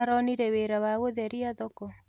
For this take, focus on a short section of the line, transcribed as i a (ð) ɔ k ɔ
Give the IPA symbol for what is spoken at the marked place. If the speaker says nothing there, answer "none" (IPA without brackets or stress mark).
ð